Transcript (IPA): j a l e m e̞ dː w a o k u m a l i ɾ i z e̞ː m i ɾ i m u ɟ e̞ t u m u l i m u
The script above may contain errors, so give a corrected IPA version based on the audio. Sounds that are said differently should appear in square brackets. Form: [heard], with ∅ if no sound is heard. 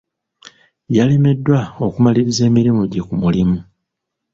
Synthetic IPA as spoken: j a l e m e̞ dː w a o k u m a l i ɾ i z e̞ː m i ɾ i m u ɟ e̞ [k] u m u l i m u